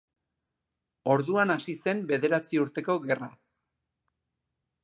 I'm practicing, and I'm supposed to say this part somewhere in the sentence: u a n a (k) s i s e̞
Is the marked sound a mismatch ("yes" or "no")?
yes